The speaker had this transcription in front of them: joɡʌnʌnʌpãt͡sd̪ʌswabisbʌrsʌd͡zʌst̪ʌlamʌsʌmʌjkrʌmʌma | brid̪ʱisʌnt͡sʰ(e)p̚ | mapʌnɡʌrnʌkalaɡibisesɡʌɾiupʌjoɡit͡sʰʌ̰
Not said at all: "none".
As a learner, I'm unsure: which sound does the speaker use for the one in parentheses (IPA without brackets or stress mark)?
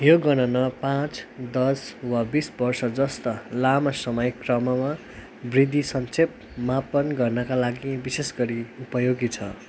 e